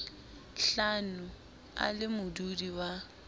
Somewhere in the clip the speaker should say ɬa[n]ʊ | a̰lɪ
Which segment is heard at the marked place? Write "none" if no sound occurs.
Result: n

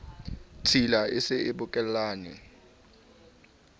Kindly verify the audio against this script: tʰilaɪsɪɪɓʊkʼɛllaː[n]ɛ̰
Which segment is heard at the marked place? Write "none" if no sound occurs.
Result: n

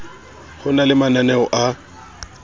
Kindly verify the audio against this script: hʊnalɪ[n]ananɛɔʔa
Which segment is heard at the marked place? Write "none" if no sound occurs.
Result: m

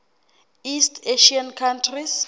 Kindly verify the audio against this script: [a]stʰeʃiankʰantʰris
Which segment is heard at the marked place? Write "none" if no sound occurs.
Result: i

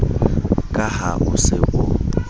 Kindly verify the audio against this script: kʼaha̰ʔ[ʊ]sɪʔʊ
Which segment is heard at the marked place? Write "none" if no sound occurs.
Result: ʊ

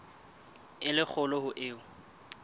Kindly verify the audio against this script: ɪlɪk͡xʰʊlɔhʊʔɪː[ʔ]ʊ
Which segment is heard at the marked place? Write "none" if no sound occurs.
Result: none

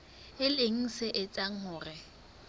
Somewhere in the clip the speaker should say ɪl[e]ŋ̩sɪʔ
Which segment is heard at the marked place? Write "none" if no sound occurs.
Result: e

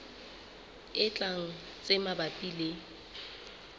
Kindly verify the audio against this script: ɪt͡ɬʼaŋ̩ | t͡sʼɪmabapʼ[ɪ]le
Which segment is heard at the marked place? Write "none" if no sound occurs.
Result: i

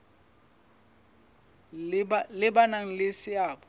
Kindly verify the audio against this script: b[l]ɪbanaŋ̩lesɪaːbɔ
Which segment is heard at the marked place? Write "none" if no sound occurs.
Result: l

